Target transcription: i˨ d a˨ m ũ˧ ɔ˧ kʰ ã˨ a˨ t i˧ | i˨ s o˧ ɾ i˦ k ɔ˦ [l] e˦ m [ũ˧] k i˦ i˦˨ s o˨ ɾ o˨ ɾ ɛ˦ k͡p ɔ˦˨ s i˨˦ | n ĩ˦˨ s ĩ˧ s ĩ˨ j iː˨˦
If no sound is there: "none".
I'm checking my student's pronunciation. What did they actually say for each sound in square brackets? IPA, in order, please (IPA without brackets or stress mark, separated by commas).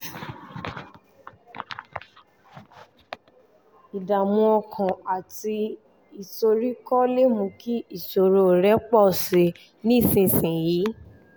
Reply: l, ũ˧